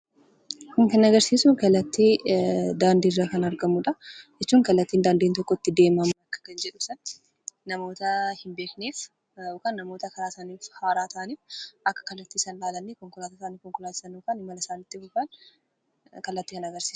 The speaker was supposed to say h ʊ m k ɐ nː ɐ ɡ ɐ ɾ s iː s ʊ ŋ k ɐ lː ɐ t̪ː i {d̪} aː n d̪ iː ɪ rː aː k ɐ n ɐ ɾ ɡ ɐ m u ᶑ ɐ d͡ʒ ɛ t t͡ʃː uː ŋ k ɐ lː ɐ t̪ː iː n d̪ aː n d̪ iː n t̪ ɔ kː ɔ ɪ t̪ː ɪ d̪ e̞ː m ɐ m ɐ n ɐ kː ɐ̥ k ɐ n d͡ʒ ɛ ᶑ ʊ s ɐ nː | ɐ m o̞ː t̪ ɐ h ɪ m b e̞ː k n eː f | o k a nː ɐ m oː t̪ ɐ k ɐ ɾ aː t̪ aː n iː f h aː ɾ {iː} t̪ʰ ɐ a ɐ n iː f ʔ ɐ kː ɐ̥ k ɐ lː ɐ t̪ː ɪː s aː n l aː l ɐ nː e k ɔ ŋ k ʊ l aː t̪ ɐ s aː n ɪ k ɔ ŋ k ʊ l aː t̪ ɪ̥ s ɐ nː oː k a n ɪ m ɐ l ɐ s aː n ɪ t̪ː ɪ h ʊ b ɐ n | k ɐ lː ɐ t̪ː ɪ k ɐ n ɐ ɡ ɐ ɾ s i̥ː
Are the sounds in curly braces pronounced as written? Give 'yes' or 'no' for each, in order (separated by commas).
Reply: yes, no